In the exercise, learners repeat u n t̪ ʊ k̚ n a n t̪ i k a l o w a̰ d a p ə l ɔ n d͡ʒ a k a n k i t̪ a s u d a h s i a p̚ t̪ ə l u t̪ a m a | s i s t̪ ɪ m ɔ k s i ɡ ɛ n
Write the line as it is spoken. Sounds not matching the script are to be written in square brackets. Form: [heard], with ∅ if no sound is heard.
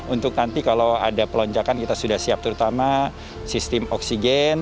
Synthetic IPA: u n t̪ ʊ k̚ n a n t̪ i k a l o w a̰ d a p ə l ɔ [ɲ] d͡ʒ a k a n k i t̪ a s u d a h s i a p̚ t̪ ə [ɾ] u t̪ a m a | s i s t̪ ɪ m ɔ k s i ɡ ɛ n